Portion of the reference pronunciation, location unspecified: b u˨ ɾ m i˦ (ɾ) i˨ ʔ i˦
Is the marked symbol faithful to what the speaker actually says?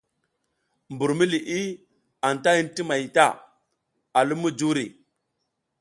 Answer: no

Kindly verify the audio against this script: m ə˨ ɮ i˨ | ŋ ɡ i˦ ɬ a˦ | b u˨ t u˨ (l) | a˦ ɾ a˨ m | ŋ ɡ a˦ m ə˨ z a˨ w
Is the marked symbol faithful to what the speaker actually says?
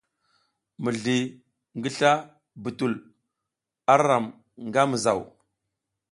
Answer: yes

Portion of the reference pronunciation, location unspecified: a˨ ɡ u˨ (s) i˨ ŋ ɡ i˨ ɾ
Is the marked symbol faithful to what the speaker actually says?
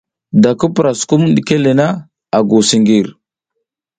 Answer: yes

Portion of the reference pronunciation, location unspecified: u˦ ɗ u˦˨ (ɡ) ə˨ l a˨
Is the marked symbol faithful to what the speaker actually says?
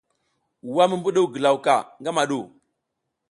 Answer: yes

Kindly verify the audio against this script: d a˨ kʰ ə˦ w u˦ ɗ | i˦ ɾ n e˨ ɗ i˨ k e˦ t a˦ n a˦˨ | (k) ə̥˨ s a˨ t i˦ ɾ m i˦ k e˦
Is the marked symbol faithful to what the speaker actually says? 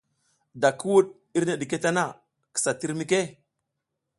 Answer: yes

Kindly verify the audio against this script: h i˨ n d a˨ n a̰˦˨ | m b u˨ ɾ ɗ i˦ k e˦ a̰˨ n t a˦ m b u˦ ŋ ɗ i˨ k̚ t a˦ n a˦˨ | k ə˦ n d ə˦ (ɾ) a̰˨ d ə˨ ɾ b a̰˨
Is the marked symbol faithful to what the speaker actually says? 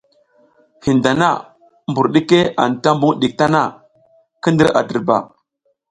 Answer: yes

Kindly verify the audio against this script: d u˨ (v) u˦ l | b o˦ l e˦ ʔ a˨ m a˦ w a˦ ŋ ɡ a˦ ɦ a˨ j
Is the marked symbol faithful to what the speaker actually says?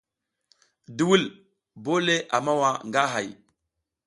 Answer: no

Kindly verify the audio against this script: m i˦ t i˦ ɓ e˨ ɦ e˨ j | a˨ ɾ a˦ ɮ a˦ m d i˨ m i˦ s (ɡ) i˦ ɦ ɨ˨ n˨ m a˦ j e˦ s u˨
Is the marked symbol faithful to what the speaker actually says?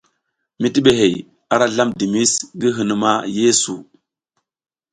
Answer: yes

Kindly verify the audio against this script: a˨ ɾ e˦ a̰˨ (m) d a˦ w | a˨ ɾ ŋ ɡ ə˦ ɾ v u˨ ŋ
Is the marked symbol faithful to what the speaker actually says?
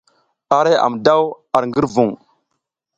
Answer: yes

